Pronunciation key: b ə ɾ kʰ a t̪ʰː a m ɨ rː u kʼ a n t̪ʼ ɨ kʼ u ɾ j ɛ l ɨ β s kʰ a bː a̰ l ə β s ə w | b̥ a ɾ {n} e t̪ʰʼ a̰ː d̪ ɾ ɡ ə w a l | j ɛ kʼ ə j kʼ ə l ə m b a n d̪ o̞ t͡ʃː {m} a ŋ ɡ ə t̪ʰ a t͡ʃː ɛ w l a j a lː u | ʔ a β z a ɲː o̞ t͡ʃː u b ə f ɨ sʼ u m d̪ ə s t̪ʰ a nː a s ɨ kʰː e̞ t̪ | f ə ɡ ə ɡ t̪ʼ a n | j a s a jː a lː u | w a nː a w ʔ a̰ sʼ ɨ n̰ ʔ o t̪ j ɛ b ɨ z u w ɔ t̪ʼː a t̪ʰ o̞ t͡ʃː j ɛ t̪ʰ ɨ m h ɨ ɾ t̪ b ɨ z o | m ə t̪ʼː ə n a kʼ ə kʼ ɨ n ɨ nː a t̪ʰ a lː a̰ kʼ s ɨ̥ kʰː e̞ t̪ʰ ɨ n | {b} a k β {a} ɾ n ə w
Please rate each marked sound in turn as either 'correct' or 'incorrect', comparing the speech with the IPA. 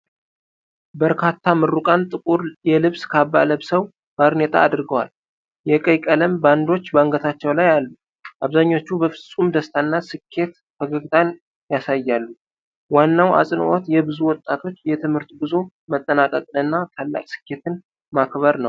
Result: correct, incorrect: b, incorrect: m, incorrect: ə

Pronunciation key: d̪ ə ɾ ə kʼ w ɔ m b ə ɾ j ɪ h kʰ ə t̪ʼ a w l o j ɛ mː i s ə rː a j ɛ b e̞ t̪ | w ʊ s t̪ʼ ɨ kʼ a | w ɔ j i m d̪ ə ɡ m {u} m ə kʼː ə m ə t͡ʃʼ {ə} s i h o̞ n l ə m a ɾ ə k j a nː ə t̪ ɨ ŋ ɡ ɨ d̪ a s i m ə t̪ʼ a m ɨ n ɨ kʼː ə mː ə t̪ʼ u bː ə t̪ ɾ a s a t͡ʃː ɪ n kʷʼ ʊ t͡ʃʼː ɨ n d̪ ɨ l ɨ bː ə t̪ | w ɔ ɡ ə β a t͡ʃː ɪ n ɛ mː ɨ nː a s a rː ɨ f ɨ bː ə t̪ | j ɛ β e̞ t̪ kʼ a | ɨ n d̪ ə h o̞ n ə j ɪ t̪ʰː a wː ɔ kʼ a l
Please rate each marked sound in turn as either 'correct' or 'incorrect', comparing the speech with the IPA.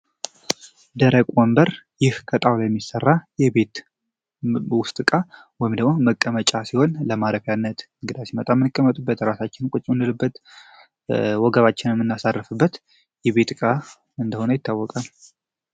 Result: incorrect: o, incorrect: a

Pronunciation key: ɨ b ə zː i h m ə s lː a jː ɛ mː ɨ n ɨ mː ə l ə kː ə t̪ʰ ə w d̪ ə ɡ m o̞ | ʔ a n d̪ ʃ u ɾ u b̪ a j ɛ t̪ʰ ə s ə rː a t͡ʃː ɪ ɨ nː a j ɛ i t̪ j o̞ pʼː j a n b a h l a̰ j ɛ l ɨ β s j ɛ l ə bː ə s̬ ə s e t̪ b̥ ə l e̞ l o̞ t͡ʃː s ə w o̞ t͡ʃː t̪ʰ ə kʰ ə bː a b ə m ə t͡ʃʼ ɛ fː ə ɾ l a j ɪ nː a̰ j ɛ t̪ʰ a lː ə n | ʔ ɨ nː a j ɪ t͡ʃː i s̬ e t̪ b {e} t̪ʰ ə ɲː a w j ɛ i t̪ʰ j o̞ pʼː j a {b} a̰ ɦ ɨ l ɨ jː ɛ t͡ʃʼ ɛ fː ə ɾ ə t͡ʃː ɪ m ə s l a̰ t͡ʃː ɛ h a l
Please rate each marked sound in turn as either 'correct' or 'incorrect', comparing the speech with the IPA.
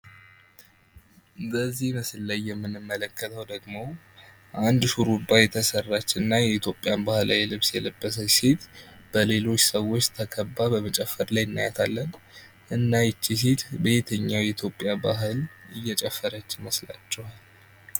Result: correct, correct

